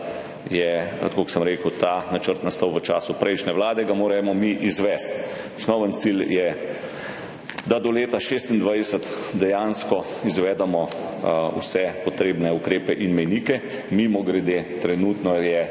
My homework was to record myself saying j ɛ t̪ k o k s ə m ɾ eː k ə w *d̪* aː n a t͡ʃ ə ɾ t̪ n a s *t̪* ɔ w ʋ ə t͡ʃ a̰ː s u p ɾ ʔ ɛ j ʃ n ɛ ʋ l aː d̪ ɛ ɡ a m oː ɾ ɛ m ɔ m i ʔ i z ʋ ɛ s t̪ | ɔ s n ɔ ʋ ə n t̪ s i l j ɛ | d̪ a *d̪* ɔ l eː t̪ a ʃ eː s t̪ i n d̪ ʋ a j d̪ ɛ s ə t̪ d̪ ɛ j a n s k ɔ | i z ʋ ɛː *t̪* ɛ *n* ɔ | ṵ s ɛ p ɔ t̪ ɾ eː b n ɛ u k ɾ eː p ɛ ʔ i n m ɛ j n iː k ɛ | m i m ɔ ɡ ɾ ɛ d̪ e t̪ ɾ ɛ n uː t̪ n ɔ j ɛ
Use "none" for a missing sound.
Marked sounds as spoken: t̪, t̪, d̪, d̪, m

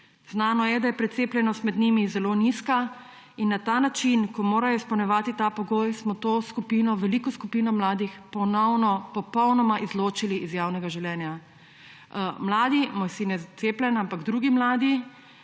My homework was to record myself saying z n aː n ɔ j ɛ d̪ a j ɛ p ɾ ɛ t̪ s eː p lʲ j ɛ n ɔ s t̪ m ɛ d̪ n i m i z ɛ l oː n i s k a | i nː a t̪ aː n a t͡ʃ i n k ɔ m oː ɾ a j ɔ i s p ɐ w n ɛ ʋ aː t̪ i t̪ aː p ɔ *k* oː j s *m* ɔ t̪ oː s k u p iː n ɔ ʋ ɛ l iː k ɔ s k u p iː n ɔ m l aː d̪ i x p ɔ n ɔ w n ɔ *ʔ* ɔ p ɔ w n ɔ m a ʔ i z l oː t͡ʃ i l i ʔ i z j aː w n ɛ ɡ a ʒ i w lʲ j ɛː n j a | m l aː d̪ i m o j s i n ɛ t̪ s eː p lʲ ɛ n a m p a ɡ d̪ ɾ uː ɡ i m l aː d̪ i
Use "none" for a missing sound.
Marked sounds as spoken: ɡ, m, p

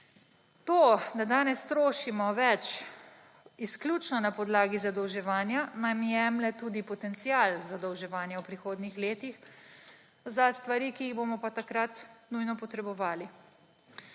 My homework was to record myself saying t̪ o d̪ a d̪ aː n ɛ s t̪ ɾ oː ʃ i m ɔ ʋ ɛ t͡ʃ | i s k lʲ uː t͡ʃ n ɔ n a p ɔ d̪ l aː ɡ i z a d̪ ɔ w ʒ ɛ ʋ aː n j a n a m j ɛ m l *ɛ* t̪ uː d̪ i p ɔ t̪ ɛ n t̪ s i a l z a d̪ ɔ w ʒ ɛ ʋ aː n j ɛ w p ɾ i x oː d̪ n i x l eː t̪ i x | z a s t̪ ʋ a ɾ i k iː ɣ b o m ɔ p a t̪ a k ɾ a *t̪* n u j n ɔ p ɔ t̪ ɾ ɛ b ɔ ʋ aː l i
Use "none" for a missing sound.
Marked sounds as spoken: ɛ, t̪

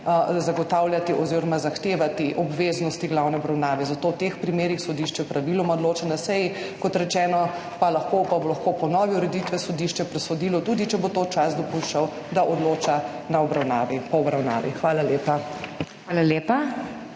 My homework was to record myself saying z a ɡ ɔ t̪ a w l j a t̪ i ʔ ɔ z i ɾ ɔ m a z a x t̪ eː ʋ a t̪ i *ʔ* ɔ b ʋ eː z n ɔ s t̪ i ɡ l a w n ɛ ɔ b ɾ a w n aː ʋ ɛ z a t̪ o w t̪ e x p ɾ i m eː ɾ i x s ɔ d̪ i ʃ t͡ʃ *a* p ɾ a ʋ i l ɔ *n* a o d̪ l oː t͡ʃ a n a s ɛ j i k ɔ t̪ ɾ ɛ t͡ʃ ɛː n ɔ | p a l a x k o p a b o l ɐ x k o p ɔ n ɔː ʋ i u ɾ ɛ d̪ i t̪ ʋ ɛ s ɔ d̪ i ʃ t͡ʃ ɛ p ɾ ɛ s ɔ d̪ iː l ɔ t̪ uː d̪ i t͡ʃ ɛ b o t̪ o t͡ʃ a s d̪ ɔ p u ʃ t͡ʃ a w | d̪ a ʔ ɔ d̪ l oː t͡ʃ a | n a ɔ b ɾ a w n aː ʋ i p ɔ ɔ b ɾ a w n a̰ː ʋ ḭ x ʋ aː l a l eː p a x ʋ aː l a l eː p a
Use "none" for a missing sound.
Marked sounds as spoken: ʔ, ɛ, m

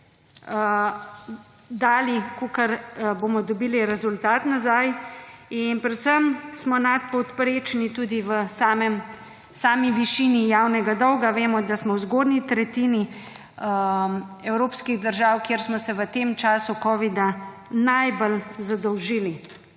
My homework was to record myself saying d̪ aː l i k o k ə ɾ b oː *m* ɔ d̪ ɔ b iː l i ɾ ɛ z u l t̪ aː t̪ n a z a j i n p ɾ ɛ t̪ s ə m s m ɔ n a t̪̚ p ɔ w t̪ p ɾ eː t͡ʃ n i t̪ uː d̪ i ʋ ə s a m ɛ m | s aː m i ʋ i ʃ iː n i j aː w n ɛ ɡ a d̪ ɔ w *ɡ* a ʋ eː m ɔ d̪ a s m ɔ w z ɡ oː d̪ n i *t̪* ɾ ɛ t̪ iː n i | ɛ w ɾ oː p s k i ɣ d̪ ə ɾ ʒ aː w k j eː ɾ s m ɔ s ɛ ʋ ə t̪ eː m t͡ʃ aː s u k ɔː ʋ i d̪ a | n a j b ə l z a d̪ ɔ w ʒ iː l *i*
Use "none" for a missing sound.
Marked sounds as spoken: m, ɡ, t̪, i

